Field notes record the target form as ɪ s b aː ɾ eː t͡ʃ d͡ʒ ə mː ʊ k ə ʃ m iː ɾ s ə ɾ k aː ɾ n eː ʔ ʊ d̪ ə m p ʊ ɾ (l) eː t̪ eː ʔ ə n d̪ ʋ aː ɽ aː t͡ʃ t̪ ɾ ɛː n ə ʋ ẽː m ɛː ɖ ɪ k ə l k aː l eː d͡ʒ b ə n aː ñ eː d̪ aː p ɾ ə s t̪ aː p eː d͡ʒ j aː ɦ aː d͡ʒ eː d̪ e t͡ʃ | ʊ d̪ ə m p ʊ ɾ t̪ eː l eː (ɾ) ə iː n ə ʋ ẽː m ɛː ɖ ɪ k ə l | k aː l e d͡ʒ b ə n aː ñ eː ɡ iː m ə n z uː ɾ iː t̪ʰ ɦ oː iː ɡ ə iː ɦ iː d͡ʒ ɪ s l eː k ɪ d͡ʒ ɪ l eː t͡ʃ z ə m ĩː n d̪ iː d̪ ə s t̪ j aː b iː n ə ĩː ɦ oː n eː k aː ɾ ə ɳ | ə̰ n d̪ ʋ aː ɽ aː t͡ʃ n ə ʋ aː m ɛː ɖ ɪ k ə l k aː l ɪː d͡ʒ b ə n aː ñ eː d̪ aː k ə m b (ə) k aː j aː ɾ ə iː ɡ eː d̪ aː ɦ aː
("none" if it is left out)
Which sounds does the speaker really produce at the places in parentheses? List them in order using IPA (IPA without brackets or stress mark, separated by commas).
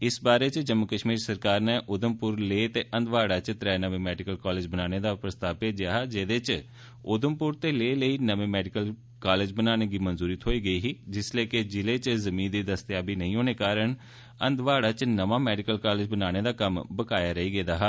l, l, ə